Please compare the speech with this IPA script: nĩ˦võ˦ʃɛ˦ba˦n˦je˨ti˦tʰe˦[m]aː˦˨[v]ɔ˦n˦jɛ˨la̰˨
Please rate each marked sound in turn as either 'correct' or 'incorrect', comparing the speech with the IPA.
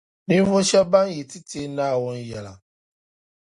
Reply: incorrect, incorrect

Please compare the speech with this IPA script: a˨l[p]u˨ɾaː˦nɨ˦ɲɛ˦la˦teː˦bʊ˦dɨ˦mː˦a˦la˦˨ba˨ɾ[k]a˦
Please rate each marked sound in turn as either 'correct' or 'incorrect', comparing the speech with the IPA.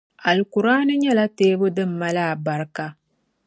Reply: incorrect, correct

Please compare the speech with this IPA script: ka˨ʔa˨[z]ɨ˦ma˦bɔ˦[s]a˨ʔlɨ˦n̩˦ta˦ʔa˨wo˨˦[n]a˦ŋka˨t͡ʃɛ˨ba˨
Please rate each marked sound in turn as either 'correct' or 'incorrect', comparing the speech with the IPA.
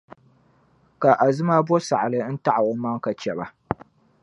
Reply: correct, correct, incorrect

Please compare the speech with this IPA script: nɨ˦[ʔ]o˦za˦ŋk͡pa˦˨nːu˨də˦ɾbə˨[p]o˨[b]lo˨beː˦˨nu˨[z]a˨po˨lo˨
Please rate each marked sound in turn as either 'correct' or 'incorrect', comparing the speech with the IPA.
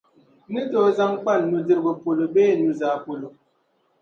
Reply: incorrect, correct, incorrect, correct

